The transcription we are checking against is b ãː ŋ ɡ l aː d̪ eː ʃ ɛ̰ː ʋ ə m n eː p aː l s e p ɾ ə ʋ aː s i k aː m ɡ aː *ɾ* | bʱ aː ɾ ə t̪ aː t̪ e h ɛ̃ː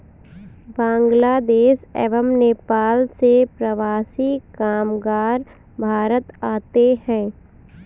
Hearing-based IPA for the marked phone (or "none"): ɾ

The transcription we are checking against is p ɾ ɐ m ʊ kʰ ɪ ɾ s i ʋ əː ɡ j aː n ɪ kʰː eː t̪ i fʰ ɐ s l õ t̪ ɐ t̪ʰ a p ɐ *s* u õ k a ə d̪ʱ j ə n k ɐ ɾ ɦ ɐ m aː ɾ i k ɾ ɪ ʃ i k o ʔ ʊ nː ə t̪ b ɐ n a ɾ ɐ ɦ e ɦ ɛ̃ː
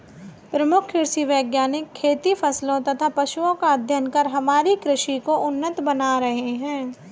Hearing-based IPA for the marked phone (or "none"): ʃ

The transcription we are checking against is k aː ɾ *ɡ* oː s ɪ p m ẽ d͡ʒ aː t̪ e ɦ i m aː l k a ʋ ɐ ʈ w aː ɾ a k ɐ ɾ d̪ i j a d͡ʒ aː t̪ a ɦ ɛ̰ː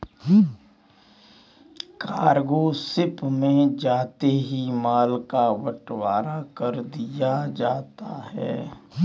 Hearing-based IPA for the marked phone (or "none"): ɡ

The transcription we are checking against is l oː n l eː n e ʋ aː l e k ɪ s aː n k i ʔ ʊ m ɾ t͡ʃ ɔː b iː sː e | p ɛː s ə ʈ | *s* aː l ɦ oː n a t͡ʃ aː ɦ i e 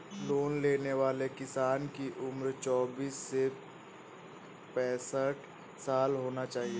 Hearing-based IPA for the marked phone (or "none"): s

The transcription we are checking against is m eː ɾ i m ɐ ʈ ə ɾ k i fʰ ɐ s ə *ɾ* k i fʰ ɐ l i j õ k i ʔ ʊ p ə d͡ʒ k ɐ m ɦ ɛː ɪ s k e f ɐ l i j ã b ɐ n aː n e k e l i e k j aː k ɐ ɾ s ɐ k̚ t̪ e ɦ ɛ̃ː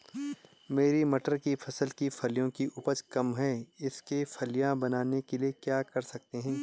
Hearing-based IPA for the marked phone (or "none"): l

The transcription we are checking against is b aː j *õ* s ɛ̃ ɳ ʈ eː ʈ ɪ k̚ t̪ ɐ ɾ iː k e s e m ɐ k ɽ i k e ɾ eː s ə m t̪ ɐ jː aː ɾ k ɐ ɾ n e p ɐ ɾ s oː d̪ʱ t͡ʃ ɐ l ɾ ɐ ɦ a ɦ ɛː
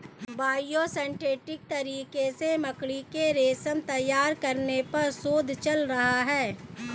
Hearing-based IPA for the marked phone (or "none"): o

